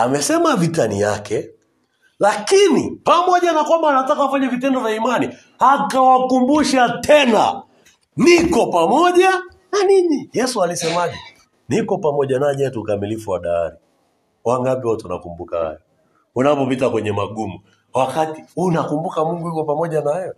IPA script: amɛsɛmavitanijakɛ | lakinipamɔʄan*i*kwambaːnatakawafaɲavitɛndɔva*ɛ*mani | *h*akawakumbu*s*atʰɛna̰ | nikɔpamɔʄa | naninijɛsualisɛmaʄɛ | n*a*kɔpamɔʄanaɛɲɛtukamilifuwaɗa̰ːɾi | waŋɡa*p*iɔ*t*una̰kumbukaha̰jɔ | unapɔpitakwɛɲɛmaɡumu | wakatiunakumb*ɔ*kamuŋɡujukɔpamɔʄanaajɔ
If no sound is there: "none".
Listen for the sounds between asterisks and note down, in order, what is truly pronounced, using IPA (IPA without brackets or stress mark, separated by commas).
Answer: a, i, h, ʃ, i, p, t, u